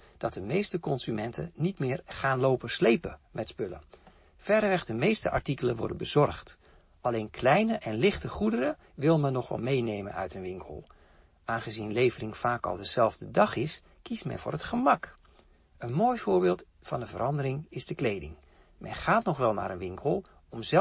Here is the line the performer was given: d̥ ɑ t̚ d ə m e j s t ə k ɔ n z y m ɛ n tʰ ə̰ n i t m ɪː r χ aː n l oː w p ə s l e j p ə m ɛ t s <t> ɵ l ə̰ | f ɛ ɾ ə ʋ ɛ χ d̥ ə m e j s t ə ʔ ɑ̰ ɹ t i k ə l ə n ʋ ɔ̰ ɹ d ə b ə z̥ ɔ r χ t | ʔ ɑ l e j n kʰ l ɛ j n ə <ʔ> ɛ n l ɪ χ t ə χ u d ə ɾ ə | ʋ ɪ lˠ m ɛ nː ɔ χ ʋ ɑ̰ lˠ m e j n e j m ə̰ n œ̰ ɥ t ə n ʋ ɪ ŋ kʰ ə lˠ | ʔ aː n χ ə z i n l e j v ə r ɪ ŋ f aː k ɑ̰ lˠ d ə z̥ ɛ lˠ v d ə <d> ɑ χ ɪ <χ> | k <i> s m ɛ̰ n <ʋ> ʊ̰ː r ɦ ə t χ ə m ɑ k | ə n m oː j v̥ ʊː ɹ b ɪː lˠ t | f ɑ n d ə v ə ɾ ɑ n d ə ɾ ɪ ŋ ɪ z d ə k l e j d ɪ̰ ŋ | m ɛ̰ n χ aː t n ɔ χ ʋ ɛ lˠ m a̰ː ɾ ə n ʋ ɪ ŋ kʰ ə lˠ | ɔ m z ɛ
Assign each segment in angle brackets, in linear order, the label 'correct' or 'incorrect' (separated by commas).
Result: incorrect, correct, correct, incorrect, correct, incorrect